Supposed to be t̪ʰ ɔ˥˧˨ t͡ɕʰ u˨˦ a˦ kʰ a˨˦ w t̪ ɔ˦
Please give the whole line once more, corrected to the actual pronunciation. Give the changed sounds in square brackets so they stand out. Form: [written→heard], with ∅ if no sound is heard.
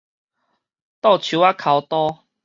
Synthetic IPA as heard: [t̪ʰ→t̪] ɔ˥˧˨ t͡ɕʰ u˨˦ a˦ kʰ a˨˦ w t̪ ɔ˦